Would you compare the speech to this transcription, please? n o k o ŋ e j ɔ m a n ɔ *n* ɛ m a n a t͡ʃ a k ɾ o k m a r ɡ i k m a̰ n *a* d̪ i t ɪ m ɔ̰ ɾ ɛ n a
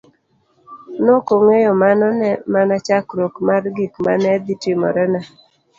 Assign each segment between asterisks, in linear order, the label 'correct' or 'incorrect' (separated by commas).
correct, incorrect